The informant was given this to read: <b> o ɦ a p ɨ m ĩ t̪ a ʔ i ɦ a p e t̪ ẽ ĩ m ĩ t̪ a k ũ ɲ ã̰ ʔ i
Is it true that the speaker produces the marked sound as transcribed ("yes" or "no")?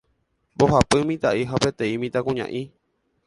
yes